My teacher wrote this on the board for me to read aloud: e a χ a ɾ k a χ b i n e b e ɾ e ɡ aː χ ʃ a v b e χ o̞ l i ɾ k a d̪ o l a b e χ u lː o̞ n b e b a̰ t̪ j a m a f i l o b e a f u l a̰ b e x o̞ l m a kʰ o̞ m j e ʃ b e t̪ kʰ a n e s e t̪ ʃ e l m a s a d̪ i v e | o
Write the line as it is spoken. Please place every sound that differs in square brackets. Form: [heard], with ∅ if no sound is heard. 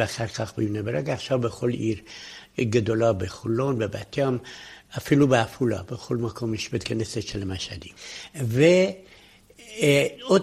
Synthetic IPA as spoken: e a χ a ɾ k a χ b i n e b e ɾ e ɡ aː χ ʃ a v b e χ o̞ l i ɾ [ɡ] a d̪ o l a b e χ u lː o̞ n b e b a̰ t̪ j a m a f i l [u] b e a f u l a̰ b e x o̞ l m a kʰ o̞ m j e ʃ b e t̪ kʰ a n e s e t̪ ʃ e l m a [ʃ] a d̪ i v e | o